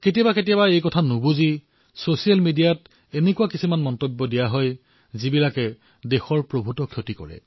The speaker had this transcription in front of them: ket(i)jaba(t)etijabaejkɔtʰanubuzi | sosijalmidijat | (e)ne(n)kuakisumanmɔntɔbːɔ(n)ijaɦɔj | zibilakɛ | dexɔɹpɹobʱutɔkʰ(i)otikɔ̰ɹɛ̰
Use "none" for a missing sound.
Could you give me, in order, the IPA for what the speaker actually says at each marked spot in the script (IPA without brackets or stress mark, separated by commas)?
i, k, e, none, d, j